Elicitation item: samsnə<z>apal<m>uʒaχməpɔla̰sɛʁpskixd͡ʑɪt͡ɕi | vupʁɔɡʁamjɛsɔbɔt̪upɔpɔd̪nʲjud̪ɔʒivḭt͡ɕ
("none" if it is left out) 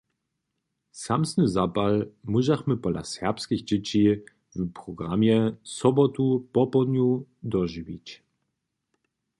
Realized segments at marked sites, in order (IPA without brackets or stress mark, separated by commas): z, m